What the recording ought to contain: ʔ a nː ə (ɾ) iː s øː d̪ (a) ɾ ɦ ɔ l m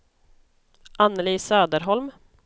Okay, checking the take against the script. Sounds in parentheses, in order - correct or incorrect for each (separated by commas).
incorrect, incorrect